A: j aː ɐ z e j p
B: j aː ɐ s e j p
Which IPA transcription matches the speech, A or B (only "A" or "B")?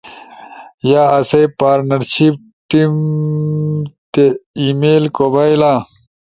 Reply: B